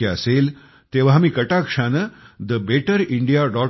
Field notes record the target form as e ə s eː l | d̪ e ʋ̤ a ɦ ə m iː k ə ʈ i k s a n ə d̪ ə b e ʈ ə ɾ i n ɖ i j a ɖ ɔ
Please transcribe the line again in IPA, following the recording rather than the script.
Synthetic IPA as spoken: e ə s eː l | t̪ e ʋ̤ a ɦ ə m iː k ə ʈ a k ʂ a n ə d̪ ə b e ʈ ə ɾ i ɳ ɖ i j a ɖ ɔ